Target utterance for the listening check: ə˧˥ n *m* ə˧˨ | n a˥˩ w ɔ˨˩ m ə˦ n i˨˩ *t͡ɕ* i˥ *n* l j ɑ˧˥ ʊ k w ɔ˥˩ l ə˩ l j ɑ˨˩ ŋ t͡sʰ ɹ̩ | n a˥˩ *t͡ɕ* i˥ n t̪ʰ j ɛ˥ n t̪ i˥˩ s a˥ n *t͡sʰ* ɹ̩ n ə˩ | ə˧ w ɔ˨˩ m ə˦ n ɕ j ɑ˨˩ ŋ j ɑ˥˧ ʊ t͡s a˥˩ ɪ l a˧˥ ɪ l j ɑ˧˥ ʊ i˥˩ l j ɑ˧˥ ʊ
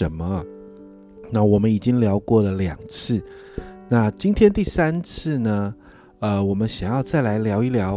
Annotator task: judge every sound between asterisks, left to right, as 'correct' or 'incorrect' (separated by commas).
correct, correct, incorrect, correct, correct